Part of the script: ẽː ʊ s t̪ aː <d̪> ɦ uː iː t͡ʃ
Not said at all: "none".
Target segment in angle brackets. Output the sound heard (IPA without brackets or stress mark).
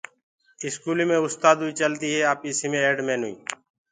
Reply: d̪